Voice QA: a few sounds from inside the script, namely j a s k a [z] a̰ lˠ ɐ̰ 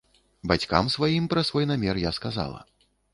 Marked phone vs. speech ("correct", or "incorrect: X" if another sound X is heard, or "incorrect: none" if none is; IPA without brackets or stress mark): correct